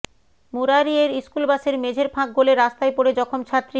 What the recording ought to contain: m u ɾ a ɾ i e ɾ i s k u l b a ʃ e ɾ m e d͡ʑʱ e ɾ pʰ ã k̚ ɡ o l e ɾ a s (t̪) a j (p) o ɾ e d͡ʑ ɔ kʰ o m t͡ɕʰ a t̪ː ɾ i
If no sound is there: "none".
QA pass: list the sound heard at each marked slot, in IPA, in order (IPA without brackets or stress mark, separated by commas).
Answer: t̪, p